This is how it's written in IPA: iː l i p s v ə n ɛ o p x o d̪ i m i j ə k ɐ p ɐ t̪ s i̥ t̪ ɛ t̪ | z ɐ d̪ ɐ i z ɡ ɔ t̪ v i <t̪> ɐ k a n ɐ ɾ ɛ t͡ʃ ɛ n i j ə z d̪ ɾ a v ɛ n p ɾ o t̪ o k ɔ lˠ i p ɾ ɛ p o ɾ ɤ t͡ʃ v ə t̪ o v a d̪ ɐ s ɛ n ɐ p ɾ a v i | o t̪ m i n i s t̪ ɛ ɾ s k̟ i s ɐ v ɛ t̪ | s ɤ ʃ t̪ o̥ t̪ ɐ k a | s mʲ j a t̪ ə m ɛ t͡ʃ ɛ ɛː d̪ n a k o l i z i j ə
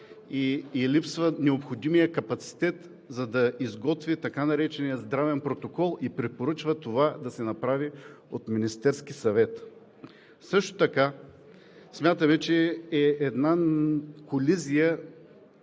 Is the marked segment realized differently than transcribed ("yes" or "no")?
no